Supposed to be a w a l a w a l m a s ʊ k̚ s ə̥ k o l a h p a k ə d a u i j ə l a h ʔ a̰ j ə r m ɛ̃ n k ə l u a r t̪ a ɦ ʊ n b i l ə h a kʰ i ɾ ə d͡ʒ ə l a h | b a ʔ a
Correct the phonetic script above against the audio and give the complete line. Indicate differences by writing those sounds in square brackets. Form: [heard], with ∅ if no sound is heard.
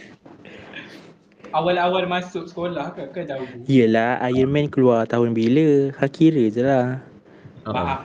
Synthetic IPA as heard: a w a l a w a l m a s ʊ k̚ s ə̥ k o l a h [k] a k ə d a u i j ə l a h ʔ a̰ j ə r m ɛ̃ n k ə l u a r t̪ a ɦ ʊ n b i l ə h a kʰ i ɾ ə d͡ʒ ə l a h | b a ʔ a